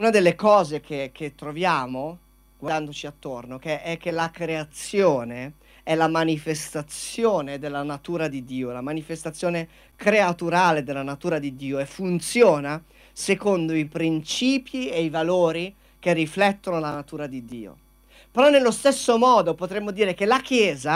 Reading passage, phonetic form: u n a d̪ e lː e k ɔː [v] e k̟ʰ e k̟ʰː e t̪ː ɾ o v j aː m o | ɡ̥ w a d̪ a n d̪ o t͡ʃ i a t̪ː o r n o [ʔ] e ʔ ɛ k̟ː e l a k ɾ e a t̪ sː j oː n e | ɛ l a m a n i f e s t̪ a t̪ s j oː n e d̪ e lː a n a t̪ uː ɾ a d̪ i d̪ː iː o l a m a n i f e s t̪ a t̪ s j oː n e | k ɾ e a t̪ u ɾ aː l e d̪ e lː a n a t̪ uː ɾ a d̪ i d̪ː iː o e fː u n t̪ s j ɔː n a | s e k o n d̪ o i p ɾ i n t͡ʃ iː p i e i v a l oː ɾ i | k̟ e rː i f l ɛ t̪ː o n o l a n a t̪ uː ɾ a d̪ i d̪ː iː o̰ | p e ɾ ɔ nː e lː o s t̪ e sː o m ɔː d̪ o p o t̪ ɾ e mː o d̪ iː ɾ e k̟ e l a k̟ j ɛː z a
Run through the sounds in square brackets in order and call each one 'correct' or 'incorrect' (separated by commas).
incorrect, incorrect